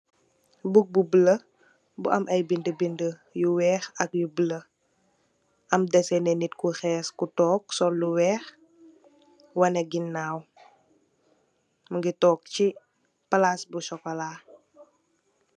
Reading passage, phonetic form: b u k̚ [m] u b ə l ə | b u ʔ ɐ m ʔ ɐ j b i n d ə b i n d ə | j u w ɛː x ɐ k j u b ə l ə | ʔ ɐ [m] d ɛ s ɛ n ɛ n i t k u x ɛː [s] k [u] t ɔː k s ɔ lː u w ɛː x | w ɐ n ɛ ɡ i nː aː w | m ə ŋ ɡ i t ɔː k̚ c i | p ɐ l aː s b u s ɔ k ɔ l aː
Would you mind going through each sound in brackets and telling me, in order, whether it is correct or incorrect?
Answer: incorrect: b, correct, correct, correct

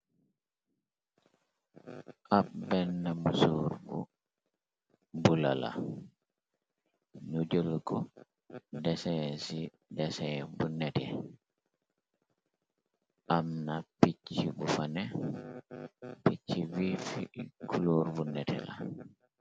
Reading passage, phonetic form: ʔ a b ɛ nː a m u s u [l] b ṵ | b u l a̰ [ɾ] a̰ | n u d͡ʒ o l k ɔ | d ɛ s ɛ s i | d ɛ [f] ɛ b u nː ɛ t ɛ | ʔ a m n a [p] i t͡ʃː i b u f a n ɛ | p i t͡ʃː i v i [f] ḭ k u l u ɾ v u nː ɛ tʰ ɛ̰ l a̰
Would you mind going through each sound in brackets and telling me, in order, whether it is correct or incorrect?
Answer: incorrect: ɾ, incorrect: l, incorrect: s, correct, correct

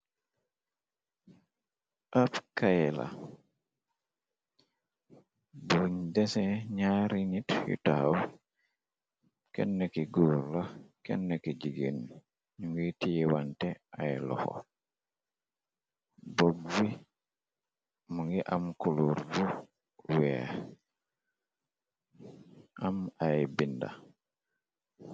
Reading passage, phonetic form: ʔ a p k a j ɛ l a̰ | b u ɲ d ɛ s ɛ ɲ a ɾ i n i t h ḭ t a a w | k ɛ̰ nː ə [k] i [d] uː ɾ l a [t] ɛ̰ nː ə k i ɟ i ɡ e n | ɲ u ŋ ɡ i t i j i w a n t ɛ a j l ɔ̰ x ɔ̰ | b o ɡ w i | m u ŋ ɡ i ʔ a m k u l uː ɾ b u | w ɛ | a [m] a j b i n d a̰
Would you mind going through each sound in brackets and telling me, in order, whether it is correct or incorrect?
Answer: correct, incorrect: ɡ, incorrect: k, correct

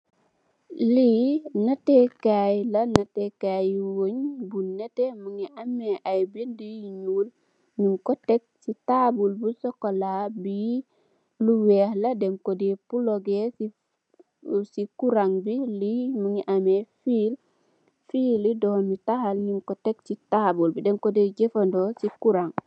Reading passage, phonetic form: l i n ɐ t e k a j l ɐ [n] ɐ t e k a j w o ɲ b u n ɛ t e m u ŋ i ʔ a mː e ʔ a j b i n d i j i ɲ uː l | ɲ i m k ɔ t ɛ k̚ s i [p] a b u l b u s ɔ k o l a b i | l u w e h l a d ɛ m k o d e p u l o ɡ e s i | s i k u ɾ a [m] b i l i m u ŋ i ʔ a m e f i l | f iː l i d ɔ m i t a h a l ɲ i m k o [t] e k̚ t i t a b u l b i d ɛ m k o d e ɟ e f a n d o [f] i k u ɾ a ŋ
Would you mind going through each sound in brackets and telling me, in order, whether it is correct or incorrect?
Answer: correct, incorrect: t, incorrect: ŋ, correct, incorrect: s

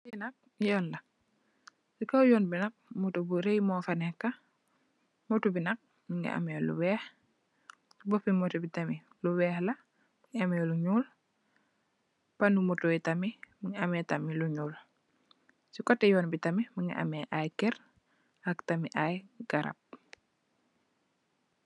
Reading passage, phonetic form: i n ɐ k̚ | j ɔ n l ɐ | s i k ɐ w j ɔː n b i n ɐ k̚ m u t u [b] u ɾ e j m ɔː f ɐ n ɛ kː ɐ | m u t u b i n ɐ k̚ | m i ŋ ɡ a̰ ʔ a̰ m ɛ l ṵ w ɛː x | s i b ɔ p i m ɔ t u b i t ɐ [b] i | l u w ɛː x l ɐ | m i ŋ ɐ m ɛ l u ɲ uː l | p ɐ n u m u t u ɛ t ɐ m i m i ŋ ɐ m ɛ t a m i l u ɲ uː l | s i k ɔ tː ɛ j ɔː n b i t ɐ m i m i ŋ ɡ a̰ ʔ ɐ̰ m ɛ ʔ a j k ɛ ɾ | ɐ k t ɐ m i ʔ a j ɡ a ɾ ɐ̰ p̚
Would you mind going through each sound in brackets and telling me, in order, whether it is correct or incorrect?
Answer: correct, incorrect: m

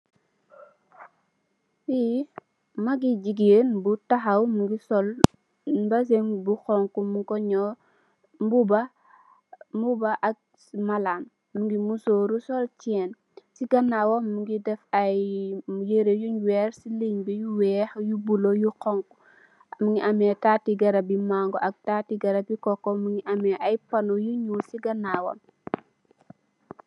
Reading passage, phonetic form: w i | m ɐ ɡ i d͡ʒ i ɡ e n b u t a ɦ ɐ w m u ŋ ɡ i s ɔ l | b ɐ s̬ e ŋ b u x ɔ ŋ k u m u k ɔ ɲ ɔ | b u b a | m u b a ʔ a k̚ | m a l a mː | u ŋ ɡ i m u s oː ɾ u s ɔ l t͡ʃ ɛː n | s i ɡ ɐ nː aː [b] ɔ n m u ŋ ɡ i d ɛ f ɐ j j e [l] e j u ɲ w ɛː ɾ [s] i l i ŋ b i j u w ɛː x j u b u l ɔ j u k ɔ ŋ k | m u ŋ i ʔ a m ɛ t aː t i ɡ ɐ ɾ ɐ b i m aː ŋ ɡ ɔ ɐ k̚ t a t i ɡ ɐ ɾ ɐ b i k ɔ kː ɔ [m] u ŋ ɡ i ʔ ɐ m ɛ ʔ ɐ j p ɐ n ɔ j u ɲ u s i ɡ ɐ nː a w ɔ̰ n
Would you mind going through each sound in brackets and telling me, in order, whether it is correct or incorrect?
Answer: incorrect: w, incorrect: ɾ, correct, correct

